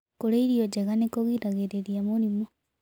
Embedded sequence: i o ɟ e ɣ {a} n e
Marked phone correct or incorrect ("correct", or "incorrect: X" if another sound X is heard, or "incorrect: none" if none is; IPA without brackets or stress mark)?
correct